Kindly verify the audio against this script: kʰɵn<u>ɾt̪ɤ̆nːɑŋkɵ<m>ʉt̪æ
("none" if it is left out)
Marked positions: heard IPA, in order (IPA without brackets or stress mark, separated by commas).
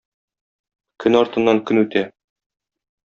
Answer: ɒ, n